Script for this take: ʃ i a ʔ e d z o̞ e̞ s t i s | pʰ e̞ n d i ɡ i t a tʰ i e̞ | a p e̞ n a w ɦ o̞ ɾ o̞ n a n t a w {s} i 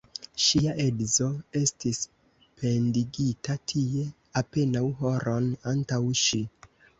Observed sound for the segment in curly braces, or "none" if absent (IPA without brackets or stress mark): ʃ